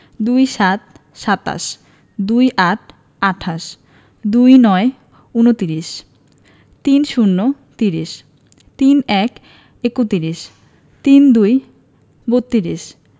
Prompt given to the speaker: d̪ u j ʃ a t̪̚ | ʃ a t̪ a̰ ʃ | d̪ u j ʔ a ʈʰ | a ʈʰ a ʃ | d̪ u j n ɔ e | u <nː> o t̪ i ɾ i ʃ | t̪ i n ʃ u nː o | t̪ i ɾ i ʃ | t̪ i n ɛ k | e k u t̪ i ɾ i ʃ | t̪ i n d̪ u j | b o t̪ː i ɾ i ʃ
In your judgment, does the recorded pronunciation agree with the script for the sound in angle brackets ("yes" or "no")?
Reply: no